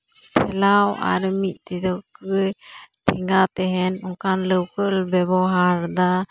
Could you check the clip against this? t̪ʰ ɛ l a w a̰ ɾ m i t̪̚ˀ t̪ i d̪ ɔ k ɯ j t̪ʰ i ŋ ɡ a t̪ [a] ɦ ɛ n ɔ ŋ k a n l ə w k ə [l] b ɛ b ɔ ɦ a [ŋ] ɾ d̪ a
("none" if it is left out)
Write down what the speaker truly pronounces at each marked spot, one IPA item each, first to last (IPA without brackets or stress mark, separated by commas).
ɛ, l, none